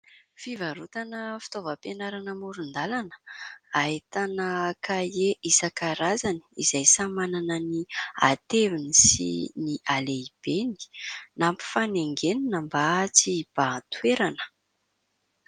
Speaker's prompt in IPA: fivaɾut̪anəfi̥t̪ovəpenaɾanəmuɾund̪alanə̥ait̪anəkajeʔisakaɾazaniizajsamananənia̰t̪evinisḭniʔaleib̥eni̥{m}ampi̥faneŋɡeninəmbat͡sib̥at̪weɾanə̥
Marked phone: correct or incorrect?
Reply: incorrect